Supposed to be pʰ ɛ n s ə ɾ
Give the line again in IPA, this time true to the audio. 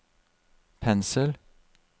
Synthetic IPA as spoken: pʰ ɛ n s ə l